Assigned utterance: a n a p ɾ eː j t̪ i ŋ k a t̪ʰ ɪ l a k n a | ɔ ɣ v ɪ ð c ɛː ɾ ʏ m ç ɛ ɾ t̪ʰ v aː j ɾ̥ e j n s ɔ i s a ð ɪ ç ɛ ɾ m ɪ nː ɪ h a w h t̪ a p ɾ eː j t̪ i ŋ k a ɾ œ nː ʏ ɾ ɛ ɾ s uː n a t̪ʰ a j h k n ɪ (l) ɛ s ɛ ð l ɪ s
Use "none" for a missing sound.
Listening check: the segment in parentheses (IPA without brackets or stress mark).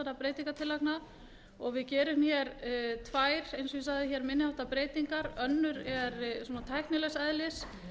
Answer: l